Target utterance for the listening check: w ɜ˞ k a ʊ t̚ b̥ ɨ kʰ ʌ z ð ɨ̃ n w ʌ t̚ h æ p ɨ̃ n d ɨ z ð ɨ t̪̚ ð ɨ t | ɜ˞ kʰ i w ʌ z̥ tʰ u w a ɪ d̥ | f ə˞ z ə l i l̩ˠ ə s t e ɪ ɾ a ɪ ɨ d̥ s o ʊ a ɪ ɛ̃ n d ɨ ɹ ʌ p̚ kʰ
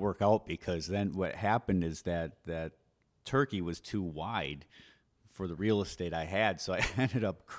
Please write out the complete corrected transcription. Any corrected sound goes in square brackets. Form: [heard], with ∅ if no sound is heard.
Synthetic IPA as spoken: w ɜ˞ k a ʊ t̚ b̥ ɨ kʰ ʌ z ð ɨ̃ n w ʌ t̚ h æ p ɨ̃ n d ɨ z ð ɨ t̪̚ ð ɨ [tʰ] | ɜ˞ [k] i w ʌ z̥ tʰ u w a ɪ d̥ | f ə˞ [ð] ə [ɹ] i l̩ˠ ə s t e ɪ ɾ a ɪ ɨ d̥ s o ʊ a ɪ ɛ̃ n d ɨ [ɾ] ʌ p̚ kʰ